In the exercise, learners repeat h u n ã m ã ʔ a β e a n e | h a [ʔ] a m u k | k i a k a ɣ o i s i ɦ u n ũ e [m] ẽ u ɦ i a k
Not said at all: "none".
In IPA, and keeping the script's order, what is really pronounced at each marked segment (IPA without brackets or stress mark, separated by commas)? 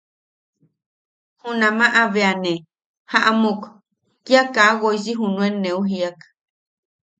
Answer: ʔ, n